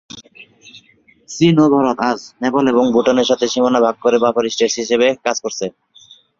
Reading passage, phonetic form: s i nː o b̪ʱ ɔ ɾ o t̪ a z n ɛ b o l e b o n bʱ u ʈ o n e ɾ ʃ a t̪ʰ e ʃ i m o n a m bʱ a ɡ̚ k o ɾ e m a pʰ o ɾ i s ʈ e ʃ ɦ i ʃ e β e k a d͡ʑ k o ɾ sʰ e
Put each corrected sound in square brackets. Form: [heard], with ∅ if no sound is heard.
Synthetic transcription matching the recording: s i [n] o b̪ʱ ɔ ɾ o t̪ a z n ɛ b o l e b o [ŋ] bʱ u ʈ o n e ɾ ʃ a t̪ʰ e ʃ i m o n a [∅] bʱ a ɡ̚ k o ɾ e [b] a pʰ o ɾ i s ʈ e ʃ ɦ i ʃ e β e k a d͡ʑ k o ɾ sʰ e